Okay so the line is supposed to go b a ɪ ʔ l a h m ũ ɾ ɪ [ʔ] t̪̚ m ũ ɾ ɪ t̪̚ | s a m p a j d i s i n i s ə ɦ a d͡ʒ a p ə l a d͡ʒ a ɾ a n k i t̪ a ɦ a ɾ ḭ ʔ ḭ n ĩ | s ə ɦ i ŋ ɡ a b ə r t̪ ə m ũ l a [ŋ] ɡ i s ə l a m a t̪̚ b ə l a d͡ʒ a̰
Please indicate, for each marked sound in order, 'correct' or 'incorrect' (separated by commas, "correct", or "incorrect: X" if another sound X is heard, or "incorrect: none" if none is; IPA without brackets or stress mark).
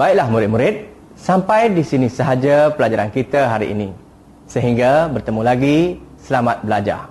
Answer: incorrect: none, incorrect: none